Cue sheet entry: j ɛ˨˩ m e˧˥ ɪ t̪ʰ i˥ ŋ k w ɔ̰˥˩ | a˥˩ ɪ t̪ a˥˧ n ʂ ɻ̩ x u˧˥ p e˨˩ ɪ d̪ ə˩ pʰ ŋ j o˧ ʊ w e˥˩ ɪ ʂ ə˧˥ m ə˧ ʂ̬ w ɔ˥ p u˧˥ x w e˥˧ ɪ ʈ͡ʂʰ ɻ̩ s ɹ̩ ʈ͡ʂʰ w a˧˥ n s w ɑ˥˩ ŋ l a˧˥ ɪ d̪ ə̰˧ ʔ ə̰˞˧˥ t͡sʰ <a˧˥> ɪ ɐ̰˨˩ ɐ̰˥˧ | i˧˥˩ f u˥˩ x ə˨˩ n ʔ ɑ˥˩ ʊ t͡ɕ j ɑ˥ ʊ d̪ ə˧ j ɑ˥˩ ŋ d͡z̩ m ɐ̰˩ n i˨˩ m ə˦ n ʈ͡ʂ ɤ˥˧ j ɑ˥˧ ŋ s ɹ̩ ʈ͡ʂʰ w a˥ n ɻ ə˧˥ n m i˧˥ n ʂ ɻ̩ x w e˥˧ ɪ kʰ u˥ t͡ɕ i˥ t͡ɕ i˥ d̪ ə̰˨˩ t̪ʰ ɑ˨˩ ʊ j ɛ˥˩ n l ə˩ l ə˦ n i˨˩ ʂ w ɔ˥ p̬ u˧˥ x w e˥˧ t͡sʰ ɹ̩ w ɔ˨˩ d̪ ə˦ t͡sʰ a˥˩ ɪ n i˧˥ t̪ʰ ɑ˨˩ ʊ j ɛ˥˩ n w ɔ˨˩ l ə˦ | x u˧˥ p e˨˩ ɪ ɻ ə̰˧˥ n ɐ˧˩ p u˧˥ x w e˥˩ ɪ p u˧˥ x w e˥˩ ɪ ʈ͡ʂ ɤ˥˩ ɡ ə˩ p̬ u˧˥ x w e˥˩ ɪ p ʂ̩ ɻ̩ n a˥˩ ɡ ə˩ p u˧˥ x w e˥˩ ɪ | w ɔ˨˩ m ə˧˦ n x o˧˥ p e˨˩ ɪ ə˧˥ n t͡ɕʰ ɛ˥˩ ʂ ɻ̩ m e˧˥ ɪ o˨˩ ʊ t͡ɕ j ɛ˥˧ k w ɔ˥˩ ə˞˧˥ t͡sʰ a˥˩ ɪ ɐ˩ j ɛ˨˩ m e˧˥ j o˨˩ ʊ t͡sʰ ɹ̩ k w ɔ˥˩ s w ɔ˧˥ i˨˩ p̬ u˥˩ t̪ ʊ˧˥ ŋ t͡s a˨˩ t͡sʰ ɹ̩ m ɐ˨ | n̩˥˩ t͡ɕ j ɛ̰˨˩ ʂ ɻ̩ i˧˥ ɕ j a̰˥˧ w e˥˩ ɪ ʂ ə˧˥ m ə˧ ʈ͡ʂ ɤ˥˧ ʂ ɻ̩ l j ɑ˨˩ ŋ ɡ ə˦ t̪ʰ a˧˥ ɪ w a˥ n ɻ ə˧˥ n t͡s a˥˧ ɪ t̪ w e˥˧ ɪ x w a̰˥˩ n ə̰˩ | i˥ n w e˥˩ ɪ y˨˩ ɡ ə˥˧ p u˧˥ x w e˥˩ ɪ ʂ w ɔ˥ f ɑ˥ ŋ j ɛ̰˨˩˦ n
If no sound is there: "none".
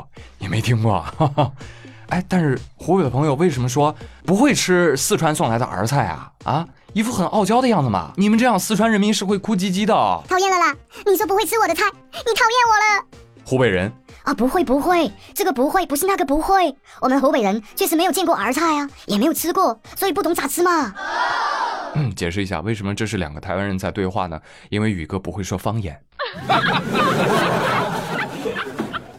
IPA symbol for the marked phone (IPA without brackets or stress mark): a˥˩